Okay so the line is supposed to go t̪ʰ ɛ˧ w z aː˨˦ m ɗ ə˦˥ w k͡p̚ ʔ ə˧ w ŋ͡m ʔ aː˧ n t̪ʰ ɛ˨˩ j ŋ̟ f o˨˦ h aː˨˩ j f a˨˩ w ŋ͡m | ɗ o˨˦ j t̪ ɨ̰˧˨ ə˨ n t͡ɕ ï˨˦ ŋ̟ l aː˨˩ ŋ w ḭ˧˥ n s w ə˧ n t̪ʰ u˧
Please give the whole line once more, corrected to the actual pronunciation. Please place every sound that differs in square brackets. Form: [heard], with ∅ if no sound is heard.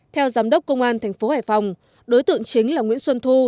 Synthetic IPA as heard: t̪ʰ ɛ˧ w z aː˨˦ m ɗ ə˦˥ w k͡p̚ [k] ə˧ w ŋ͡m ʔ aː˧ n t̪ʰ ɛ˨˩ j ŋ̟ f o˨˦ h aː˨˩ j f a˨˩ w ŋ͡m | ɗ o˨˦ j t̪ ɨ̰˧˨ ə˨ [ŋ] t͡ɕ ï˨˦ ŋ̟ l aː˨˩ ŋ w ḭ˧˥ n s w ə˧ n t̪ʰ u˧